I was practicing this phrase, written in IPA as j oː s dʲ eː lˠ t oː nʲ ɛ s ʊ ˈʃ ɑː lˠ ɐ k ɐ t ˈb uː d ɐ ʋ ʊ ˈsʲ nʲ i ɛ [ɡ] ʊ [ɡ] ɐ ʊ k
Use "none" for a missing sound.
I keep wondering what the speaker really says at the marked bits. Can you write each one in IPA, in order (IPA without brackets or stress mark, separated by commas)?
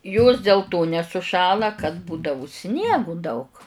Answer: ɡ, d